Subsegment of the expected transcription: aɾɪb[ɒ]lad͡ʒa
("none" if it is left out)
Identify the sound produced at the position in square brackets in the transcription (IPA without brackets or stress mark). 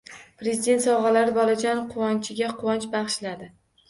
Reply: ɒ